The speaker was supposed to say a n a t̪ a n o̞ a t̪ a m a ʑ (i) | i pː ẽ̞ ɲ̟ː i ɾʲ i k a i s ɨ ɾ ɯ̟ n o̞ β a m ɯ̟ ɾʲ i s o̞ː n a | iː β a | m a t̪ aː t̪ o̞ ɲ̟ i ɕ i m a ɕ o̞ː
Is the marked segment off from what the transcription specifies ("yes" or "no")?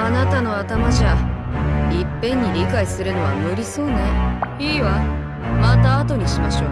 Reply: yes